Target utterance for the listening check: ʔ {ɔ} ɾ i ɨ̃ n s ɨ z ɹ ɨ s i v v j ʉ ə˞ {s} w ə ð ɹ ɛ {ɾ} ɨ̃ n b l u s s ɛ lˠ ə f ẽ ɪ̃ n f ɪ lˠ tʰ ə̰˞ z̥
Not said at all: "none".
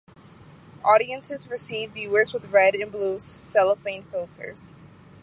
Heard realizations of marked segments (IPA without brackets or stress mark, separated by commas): ɔ, z, ɾ